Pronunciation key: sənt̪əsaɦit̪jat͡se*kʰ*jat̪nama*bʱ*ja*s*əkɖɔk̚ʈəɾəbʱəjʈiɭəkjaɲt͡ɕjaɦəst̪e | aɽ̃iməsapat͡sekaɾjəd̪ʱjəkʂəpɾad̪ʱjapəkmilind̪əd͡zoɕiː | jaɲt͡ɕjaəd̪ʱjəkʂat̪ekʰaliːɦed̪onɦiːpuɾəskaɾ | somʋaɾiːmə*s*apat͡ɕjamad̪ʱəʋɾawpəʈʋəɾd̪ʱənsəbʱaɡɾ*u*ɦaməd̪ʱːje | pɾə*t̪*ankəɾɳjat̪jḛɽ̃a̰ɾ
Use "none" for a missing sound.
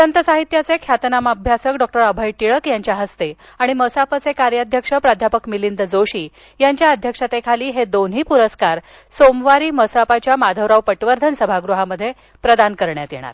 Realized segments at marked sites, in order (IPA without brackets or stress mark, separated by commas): kʰ, bʱ, s, s, u, d̪